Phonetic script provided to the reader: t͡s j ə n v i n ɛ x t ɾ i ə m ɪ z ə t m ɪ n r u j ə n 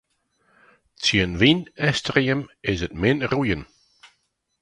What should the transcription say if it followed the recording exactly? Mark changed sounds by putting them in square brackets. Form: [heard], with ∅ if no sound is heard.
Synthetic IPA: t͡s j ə n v i n ɛ [s] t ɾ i ə m ɪ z ə t m ɪ n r u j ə n